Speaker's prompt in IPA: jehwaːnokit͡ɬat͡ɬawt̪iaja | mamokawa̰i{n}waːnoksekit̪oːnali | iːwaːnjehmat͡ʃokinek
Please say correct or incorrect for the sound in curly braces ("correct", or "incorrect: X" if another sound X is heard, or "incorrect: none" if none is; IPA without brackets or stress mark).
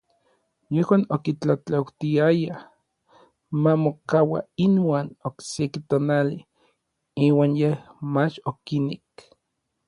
correct